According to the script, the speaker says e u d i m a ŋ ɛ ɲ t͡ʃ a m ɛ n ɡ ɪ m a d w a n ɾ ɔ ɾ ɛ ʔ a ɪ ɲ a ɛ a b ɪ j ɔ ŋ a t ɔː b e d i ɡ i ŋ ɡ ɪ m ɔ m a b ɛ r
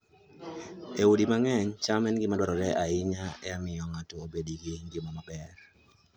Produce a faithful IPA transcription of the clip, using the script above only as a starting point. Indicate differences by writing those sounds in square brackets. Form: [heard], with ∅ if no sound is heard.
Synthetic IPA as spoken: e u d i m a ŋ ɛ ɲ t͡ʃ a m ɛ n ɡ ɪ m a d w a [∅] ɾ ɔ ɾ ɛ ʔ a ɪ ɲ a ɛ a [m] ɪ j ɔ ŋ a t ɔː b e d i ɡ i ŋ ɡ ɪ m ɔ m a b ɛ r